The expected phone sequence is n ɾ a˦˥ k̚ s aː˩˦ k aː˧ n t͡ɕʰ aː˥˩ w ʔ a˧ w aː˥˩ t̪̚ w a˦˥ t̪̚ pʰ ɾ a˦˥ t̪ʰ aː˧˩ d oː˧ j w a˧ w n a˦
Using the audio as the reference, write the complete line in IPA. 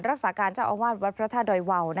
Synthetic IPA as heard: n ɾ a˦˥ k̚ s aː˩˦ k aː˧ n t͡ɕ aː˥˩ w ʔ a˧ w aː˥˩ t̪̚ w a˦˥ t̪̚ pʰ ɾ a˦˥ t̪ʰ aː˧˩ d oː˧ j w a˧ w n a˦